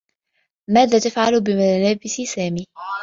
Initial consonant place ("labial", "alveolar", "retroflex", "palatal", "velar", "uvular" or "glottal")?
labial